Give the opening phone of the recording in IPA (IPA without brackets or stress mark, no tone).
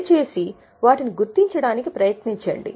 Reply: t͡ʃ